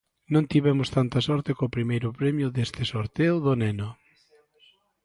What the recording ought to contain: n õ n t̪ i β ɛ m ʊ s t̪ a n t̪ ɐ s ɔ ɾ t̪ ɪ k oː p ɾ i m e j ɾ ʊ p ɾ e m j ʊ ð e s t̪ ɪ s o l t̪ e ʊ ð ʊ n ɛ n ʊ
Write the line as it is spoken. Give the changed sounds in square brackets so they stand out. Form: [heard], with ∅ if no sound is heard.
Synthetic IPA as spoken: n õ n t̪ i β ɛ m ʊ s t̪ a n t̪ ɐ s ɔ ɾ t̪ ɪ k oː p ɾ i m e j ɾ ʊ p ɾ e m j ʊ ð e s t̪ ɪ s o [ɾ] t̪ e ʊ ð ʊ n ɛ n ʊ